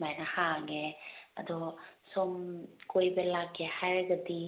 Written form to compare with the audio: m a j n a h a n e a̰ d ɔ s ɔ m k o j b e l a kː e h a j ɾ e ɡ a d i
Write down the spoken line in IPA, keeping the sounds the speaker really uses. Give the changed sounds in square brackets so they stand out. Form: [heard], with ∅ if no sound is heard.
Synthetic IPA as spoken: m a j n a h a [ŋ] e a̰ d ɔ s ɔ m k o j b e l a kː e h a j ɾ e ɡ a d i